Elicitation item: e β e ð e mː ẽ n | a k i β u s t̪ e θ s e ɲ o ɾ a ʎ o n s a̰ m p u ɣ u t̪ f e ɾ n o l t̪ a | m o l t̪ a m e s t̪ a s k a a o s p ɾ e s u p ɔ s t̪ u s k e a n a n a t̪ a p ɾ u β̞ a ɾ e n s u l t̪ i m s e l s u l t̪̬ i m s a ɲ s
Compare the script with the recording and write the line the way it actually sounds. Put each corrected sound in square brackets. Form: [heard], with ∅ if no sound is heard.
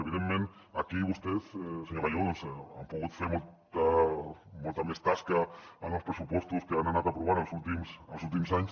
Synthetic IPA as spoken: e β [i] ð e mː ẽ n | a k i β u s t̪ e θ s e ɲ o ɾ a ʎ o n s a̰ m p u ɣ u t̪ f e ɾ [m] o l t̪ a | m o l t̪ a m e s t̪ a s k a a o s p ɾ e s u p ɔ s t̪ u s k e a n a n a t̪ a p ɾ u β̞ a ɾ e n s u l t̪ i m s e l s u l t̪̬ i m s a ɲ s